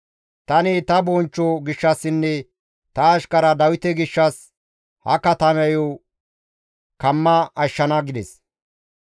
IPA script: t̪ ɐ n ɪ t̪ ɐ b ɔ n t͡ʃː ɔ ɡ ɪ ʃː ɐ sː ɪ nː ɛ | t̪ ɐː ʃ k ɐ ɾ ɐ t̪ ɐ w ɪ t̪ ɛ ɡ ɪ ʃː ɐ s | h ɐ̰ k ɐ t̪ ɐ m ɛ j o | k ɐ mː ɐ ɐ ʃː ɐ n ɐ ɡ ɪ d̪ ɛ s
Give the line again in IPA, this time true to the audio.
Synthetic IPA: t̪ ɐ n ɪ t̪ ɐ b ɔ n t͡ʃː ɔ ɡ ɪ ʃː ɐ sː ɪ nː ɛ | t̪ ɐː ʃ k ɐ ɾ ɐ d̪ ɐ w ɪ t̪ ɛ ɡ ɪ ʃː ɐ s | h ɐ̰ k ɐ t̪ ɐ m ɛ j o | k ɐ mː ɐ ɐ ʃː ɐ n ɐ ɡ ɪ d̪ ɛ s

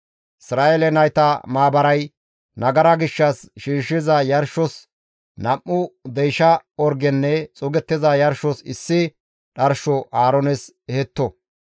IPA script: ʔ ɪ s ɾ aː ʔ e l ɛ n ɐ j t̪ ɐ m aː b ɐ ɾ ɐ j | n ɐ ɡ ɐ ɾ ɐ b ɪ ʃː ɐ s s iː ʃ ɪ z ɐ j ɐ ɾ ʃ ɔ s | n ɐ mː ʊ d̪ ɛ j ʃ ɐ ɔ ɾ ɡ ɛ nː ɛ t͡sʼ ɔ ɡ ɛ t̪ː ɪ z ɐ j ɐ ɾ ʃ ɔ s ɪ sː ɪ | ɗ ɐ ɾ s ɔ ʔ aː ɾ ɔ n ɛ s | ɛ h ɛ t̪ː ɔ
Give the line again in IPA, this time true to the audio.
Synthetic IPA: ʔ ɪ s ɾ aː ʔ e l ɛ n ɐ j t̪ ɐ m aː b ɐ ɾ ɐ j | n ɐ ɡ ɐ ɾ ɐ ɡ ɪ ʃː ɐ s ʃ iː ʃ ɪ z ɐ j ɐ ɾ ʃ ɔ s | n ɐ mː ʊ d̪ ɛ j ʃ ɐ ɔ ɾ ɡ ɛ nː ɛ t͡sʼ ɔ ɡ ɛ t̪ː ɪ z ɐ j ɐ ɾ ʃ ɔ s ɪ sː ɪ | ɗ ɐ ɾ ʃ ɔ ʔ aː ɾ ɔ n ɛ s | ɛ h ɛ t̪ː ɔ

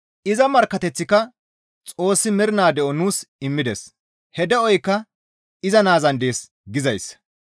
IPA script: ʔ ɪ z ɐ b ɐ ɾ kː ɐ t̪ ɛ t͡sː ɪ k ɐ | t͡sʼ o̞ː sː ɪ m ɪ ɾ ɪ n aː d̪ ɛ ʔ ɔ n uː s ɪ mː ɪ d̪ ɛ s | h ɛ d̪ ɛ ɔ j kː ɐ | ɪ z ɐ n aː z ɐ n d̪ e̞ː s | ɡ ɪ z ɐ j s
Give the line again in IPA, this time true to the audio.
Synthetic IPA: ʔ ɪ z ɐ m ɐ ɾ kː ɐ t̪ ɛ t͡sː ɪ k ɐ | t͡sʼ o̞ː sː ɪ m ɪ ɾ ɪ n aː d̪ ɛ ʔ ɔ n uː s ɪ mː ɪ d̪ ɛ s | h ɛ d̪ ɛ ɔ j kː ɐ | ɪ z ɐ n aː z ɐ n d̪ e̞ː s | ɡ ɪ z ɐ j s

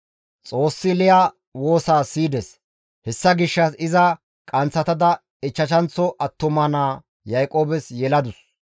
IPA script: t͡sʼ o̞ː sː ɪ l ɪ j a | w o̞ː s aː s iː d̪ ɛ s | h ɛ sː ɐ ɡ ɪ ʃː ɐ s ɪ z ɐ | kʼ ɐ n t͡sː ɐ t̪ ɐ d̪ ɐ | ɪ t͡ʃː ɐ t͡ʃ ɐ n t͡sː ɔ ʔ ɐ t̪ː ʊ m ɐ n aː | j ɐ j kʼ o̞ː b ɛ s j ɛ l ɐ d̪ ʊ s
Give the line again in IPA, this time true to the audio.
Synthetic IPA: t͡sʼ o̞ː sː ɪ l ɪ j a | w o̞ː s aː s iː d̪ ɛ s | h ɛ sː ɐ ɡ ɪ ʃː ɐ s ɪ z ɐ | kʼ ɐ n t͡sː ɐ t̪ ɐ d̪ ɐ | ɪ t͡ʃː ɐ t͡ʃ ɐ n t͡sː ɔ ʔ ɐ t̪ː ʊ m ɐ n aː | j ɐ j kʼ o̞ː b ɛ s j ɛ l ɐ d̪ ʊ s

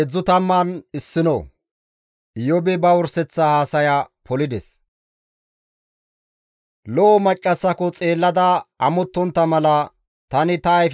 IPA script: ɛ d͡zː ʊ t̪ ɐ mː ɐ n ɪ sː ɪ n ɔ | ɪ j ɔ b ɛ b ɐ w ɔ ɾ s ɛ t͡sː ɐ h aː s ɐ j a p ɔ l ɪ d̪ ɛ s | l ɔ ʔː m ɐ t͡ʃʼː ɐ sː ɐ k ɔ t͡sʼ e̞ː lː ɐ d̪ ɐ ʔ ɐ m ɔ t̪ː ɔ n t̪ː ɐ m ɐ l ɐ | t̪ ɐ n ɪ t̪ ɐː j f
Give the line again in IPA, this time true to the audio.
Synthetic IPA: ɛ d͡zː ʊ t̪ ɐ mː ɐ n ɪ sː ɪ n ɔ | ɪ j ɔ b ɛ b ɐ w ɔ ɾ s ɛ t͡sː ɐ h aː s ɐ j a p ɔ l ɪ d̪ ɛ s | l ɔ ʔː m ɐ t͡ʃʼː ɐ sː ɐ k ɔ t͡sʼ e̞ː lː ɐ d̪ ɐ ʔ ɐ m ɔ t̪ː ɔ n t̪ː ɐ m ɐ l ɐ | t̪ ɐ n ɪ t̪ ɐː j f

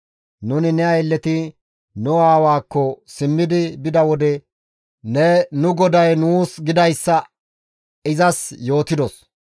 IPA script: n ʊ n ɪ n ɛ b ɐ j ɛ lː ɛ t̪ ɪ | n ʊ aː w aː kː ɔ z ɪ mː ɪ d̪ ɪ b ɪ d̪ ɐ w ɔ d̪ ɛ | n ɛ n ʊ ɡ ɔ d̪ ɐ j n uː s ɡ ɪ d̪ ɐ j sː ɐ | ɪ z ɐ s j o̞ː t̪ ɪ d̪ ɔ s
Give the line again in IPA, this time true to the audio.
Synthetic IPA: n ʊ n ɪ n ɛ ɐ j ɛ lː ɛ t̪ ɪ | n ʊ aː w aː kː ɔ s ɪ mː ɪ d̪ ɪ b ɪ d̪ ɐ w ɔ d̪ ɛ | n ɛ n ʊ ɡ ɔ d̪ ɐ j n uː s ɡ ɪ d̪ ɐ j sː ɐ | ɪ z ɐ s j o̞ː t̪ ɪ d̪ ɔ s

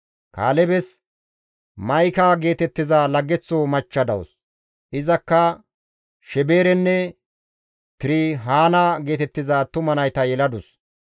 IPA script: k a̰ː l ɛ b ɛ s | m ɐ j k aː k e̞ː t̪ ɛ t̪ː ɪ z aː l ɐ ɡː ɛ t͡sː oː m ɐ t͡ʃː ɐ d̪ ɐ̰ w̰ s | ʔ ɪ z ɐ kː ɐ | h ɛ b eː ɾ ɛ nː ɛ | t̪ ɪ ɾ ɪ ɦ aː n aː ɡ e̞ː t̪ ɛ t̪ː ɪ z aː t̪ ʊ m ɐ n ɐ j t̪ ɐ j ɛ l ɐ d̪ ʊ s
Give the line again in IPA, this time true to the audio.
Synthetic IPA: k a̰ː l ɛ b ɛ s | m ɐ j k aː ɡ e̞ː t̪ ɛ t̪ː ɪ z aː l ɐ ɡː ɛ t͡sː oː m ɐ t͡ʃː ɐ d̪ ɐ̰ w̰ s | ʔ ɪ z ɐ kː ɐ | ʃ ɛ b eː ɾ ɛ nː ɛ | t̪ ɪ ɾ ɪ ɦ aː n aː ɡ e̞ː t̪ ɛ t̪ː ɪ z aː t̪ ʊ m ɐ n ɐ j t̪ ɐ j ɛ l ɐ d̪ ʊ s

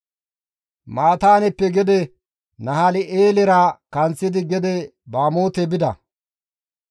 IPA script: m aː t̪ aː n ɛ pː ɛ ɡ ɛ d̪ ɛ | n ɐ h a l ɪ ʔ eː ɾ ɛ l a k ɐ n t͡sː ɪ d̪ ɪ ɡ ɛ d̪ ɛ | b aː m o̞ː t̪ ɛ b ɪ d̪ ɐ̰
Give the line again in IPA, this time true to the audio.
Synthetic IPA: m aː t̪ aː n ɛ pː ɛ ɡ ɛ d̪ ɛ | n ɐ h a l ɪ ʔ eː l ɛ ɾ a k ɐ n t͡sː ɪ d̪ ɪ ɡ ɛ d̪ ɛ | b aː m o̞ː t̪ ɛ b ɪ d̪ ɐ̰

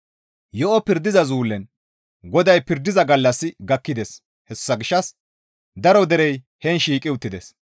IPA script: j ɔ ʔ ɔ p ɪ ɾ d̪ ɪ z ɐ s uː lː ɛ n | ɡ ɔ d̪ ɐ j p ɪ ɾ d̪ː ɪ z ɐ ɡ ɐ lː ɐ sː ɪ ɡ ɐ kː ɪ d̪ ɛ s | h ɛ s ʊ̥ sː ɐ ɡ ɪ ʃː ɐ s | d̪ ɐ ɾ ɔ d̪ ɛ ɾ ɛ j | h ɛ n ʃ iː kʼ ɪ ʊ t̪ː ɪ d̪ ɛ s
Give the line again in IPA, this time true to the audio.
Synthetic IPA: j ɔ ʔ ɔ p ɪ ɾ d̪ ɪ z ɐ z uː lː ɛ n | ɡ ɔ d̪ ɐ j p ɪ ɾ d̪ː ɪ z ɐ ɡ ɐ lː ɐ sː ɪ ɡ ɐ kː ɪ d̪ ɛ s | h ɛ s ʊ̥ sː ɐ ɡ ɪ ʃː ɐ s | d̪ ɐ ɾ ɔ d̪ ɛ ɾ ɛ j | h ɛ n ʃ iː kʼ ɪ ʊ t̪ː ɪ d̪ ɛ s

